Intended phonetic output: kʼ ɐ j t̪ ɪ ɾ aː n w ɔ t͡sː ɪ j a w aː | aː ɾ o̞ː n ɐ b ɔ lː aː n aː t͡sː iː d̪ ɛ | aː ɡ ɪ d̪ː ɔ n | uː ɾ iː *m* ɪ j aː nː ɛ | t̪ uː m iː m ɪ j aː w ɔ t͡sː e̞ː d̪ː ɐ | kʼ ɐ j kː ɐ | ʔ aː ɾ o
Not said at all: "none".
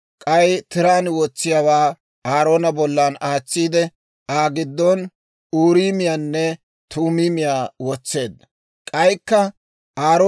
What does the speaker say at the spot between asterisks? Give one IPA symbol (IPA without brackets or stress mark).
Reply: m